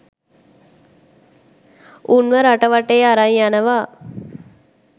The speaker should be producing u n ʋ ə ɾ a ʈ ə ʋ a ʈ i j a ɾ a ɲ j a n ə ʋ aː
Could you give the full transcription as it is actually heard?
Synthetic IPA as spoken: u n ʋ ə ɾ a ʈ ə ʋ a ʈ e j a ɾ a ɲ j a n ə ʋ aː